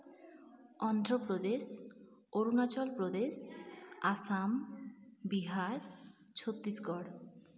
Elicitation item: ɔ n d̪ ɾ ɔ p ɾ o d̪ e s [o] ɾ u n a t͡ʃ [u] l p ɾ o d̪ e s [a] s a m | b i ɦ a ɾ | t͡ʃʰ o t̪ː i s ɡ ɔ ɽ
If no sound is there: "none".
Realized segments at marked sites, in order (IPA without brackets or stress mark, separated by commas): o, ɔ, a